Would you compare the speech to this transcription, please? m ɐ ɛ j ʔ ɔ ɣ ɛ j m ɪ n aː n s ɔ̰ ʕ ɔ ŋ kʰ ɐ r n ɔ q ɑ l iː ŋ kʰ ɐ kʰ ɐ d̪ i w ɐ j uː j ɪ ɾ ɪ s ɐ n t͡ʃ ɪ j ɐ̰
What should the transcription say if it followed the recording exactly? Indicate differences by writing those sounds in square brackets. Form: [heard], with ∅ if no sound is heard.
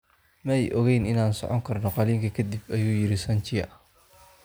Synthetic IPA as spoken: m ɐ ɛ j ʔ ɔ ɣ ɛ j [n] ɪ n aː n s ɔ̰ ʕ ɔ ŋ kʰ ɐ r n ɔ q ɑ l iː ŋ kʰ ɐ kʰ ɐ d̪ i [b] ɐ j uː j ɪ ɾ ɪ s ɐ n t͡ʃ ɪ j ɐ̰